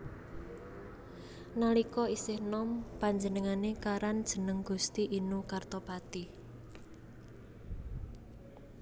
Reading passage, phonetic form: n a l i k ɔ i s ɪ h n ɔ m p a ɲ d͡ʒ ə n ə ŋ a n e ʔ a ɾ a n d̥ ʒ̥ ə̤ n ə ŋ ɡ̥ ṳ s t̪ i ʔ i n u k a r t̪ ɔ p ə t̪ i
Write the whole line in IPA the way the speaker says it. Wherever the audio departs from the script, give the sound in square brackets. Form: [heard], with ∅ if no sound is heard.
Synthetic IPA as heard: n a l i k ɔ i s ɪ h n ɔ m p a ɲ d͡ʒ ə n ə ŋ a n e [k] a ɾ a n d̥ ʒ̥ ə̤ n ə ŋ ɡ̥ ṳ s t̪ i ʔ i n u k a r t̪ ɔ p [a] t̪ i